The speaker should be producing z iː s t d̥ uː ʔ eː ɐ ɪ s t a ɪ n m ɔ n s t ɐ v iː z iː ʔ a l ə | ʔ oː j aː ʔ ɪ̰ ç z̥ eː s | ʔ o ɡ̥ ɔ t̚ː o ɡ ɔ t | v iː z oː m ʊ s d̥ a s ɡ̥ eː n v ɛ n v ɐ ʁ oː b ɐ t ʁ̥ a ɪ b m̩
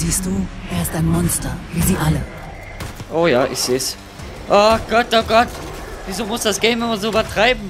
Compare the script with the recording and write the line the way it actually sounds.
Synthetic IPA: z iː s t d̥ uː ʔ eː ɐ ɪ s t a ɪ n m ɔ n s t ɐ v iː z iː ʔ a l ə | ʔ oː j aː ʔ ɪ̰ ç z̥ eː s | ʔ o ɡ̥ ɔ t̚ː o ɡ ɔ t | v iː z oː m ʊ s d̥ a s ɡ̥ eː n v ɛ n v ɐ z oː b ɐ t ʁ̥ a ɪ b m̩